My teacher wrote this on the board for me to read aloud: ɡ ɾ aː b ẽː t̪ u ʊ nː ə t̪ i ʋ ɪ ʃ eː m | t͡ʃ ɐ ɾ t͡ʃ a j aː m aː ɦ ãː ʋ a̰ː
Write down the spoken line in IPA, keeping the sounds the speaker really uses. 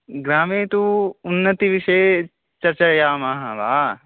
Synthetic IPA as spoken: ɡ ɾ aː m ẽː t̪ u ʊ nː ə t̪ i ʋ ɪ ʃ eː | t͡ʃ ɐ ɾ t͡ʃ a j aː m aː ɦ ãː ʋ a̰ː